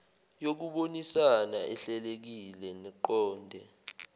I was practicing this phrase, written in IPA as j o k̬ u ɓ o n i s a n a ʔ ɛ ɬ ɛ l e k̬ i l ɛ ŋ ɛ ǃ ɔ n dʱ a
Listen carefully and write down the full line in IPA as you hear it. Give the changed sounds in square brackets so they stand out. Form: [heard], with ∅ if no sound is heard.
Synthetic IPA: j o k̬ u ɓ o n i s a n a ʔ ɛ ɬ ɛ l e k̬ i l ɛ [n] ɛ ǃ [ɔː] n dʱ [ɛ]